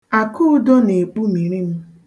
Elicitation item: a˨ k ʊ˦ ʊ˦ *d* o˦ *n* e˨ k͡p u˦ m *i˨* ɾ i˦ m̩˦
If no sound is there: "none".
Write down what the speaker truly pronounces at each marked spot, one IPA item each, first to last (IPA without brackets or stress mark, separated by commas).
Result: d, n, i˨